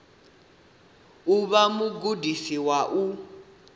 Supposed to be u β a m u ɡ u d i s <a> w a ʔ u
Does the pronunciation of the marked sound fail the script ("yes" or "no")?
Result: yes